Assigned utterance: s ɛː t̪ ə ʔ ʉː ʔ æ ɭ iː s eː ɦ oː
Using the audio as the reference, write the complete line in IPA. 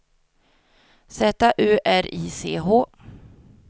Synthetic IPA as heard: s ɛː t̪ a ʔ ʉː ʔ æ ɾ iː s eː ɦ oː